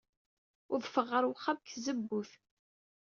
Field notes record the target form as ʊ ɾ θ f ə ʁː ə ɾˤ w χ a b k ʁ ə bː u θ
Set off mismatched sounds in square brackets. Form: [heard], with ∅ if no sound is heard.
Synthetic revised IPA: ʊ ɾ [ð] f ə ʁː ə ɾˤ w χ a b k [z] ə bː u θ